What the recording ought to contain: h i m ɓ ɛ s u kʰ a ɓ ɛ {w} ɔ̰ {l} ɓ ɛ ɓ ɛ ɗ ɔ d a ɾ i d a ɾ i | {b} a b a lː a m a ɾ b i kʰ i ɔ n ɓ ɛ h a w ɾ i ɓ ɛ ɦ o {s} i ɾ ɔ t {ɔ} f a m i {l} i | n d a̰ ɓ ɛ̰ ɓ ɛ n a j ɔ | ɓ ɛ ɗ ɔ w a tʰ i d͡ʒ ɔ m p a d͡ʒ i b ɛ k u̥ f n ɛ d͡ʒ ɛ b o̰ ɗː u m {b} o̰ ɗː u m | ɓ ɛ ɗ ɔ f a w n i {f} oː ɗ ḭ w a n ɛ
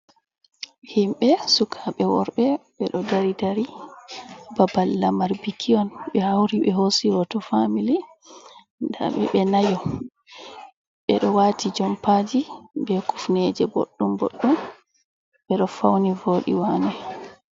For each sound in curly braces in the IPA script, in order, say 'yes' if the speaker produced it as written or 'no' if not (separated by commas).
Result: yes, no, yes, yes, yes, yes, yes, no